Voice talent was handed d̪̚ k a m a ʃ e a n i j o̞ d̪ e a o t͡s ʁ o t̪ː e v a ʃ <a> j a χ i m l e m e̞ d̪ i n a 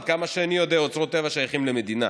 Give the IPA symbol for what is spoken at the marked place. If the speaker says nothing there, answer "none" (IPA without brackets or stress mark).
a